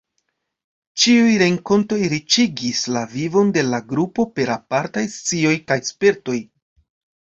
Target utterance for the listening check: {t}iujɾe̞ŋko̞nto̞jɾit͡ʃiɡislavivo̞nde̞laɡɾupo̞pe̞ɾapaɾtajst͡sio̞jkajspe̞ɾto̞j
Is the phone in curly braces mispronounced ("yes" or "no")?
yes